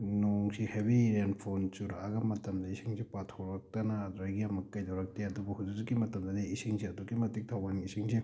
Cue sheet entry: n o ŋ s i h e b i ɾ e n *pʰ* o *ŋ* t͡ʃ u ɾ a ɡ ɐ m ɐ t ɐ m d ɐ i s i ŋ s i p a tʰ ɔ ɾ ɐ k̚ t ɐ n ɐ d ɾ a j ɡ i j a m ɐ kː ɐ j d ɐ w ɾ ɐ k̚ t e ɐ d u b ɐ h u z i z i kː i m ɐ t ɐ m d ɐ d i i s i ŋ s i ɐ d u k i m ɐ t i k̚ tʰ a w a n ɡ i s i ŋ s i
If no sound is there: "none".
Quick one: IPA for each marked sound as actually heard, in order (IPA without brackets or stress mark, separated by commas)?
pʰ, n